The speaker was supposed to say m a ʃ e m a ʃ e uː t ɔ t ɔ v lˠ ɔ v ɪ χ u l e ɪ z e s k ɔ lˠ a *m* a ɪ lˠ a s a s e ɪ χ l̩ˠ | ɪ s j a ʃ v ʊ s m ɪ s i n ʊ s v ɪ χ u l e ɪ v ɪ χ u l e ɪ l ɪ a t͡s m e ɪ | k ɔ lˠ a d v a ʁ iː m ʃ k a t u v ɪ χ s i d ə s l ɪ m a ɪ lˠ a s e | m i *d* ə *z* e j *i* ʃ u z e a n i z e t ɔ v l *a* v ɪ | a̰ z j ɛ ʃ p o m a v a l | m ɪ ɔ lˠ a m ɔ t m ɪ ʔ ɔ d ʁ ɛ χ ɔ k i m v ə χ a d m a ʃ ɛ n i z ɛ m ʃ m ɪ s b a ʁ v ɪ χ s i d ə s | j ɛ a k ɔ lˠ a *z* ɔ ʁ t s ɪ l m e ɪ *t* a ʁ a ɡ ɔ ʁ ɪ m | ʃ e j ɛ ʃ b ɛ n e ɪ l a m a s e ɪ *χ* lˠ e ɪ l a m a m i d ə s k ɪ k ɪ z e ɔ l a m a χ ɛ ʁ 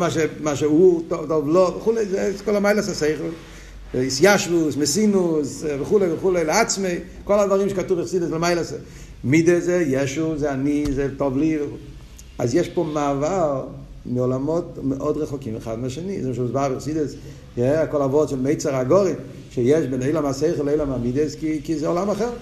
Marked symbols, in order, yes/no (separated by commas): yes, yes, yes, no, no, no, no, yes